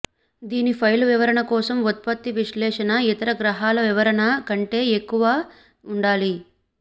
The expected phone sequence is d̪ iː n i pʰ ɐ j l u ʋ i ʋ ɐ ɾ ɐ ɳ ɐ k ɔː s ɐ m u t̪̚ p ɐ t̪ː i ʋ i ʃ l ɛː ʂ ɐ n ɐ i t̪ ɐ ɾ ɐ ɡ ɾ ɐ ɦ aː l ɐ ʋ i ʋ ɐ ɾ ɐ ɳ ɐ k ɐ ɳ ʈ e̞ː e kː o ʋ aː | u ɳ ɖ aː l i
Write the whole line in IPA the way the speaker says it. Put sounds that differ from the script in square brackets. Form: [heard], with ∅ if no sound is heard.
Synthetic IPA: d̪ iː n i pʰ ɐ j l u ʋ i ʋ ɐ ɾ ɐ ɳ ɐ k ɔː s ɐ m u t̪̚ p ɐ t̪ː i ʋ i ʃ l ɛː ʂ ɐ n ɐ i t̪ ɐ ɾ ɐ ɡ ɾ ɐ ɦ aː l ɐ ʋ i ʋ ɐ ɾ ɐ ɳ ɐ k ɐ ɳ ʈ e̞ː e kː [u] ʋ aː | u ɳ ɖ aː l i